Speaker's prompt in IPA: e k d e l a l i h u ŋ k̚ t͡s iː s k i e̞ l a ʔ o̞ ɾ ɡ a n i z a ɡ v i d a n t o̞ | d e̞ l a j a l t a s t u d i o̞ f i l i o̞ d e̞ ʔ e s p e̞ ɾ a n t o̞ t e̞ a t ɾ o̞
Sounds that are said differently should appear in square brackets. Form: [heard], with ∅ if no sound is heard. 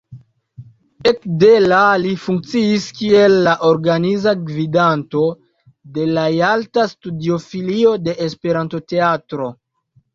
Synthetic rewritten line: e k d e l a l i [f] u ŋ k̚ t͡s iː s k i e̞ [lː] a ʔ o̞ ɾ ɡ a n i z a ɡ v i d a n t o̞ | d e̞ l a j a l t a s t u d i o̞ f i l i o̞ d e̞ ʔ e s p e̞ ɾ a n t o̞ t e̞ a t ɾ o̞